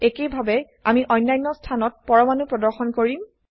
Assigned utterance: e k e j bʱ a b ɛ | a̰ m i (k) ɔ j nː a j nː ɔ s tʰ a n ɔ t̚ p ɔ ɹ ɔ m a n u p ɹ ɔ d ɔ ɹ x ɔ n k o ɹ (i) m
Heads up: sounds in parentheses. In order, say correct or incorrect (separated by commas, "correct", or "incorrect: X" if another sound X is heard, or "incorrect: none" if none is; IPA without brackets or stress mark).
incorrect: ʔ, correct